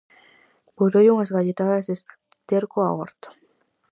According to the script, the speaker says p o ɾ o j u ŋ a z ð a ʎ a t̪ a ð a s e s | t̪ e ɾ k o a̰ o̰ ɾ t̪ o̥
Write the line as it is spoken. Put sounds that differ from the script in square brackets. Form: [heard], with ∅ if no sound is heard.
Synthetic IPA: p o ɾ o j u ŋ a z [ɣ] a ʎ [e] t̪ a ð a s e s | t̪ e ɾ k o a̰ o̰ ɾ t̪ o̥

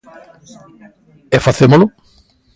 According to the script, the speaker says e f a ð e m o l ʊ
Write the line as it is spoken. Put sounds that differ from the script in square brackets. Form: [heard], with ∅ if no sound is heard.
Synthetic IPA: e f a [θ] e m o l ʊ

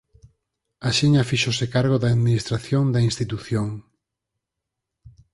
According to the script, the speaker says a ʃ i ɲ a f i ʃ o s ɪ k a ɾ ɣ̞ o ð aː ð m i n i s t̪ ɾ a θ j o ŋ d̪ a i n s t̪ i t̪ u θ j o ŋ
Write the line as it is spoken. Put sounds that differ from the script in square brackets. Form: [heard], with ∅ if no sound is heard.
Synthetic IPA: a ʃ i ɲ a f i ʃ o s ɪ k a ɾ ɣ̞ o ð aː ð m i n i s t̪ ɾ a θ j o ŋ d̪ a i n s t̪ i t̪ u θ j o ŋ

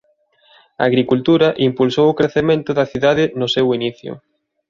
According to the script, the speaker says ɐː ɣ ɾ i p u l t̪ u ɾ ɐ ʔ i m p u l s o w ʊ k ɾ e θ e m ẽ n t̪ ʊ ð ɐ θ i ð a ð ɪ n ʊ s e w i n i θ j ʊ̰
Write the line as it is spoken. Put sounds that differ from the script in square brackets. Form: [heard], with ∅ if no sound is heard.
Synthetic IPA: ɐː ɣ ɾ i [k] u l t̪ u ɾ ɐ ʔ i m p u l s o w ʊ k ɾ e θ e m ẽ n t̪ ʊ ð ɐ θ i ð a ð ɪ n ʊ s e w i n i θ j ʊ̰

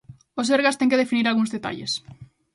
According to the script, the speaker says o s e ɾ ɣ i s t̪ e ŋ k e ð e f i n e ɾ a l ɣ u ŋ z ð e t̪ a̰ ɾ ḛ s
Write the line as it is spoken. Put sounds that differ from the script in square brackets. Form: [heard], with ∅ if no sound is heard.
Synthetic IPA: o s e ɾ ɣ [a] s t̪ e ŋ k e ð e f i n [i] ɾ a l ɣ u ŋ z ð e t̪ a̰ [ʎ] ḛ s

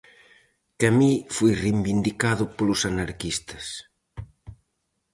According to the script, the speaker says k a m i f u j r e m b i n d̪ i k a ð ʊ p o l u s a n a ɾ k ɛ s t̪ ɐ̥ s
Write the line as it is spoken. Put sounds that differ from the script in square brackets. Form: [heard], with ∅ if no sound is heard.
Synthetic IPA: k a m i f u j r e m b i n d̪ i k a ð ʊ p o l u s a n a ɾ k [i] s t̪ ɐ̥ s

